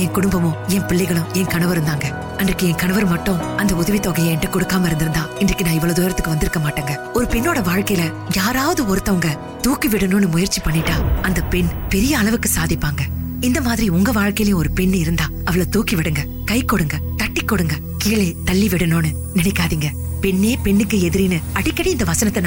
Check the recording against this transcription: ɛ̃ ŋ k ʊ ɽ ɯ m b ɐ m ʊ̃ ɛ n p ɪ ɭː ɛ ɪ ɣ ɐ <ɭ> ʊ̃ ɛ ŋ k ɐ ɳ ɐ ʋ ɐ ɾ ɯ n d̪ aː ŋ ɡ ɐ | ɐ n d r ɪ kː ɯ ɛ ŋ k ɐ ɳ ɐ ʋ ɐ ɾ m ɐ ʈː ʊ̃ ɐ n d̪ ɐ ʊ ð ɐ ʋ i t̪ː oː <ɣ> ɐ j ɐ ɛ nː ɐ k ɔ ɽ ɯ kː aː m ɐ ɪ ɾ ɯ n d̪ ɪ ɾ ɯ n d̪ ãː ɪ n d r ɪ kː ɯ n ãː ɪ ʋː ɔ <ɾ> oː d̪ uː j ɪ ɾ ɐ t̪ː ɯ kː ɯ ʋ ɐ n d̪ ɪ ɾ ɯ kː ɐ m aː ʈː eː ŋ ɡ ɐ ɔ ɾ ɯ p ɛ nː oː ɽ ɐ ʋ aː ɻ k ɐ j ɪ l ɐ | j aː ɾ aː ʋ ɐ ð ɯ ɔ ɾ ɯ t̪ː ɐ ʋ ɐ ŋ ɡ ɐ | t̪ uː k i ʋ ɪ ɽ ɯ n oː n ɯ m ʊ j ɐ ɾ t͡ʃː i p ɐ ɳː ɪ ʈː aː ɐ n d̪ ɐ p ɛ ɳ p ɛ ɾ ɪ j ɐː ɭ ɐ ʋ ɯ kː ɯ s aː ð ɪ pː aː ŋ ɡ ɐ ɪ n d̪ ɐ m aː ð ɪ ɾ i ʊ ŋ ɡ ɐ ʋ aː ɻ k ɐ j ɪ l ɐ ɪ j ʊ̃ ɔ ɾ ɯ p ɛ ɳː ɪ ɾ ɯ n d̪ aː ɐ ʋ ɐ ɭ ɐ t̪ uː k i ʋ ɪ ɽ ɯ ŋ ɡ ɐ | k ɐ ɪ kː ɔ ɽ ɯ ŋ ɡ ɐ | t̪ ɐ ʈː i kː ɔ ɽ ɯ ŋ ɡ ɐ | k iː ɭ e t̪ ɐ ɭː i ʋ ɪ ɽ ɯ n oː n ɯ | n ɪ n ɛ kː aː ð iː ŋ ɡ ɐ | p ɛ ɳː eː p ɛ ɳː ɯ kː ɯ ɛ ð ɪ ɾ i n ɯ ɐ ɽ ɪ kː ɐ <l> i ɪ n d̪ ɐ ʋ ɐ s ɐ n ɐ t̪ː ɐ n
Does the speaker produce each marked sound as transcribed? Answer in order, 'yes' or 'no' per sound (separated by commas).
yes, yes, no, no